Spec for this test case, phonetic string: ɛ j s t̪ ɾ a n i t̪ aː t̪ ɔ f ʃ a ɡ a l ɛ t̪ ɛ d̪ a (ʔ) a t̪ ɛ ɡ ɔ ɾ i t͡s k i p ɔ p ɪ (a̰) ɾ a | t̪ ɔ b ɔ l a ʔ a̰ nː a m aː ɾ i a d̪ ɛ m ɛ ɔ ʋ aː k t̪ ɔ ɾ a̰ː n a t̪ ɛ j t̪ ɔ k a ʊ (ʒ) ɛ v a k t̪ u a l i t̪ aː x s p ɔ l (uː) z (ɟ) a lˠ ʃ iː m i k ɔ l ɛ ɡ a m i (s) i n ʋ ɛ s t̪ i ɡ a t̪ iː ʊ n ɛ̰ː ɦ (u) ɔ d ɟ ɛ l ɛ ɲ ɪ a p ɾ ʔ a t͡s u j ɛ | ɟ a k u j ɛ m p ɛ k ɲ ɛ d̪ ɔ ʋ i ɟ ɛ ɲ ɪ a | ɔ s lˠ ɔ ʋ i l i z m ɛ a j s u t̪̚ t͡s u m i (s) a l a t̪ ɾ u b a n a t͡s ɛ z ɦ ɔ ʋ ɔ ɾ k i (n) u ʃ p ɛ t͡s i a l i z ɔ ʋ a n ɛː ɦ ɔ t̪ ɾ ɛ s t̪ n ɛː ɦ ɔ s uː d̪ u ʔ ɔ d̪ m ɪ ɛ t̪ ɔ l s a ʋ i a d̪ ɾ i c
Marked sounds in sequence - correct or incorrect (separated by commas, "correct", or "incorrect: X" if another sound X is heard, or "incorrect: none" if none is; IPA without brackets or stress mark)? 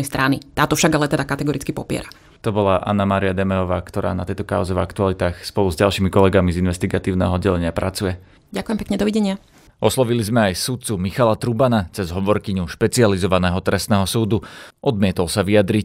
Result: incorrect: k, incorrect: ɛ̰, incorrect: z, incorrect: u, correct, incorrect: z, incorrect: ɔ, incorrect: x, incorrect: ɲ